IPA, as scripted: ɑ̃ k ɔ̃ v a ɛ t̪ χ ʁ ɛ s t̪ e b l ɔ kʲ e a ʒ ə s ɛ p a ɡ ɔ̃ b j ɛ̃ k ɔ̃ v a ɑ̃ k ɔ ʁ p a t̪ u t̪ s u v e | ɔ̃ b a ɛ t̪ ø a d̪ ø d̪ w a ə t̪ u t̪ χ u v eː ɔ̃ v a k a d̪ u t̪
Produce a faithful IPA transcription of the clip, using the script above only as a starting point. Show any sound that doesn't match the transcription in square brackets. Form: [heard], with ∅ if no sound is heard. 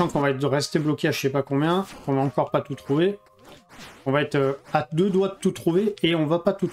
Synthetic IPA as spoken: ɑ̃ k ɔ̃ v a ɛ t̪ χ ʁ ɛ s t̪ e b l ɔ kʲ e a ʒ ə s ɛ p a [k] ɔ̃ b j ɛ̃ k ɔ̃ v a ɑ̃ k ɔ ʁ p a t̪ u t̪ [χ] u v e | ɔ̃ [v] a ɛ t̪ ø a d̪ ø d̪ w a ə t̪ u t̪ χ u v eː ɔ̃ v a [p] a [t̪] u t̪